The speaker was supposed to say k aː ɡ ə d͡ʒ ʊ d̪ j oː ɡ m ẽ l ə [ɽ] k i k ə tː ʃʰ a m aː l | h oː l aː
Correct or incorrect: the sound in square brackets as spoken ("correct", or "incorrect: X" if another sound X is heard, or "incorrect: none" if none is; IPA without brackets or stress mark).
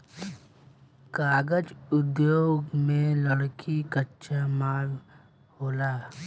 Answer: correct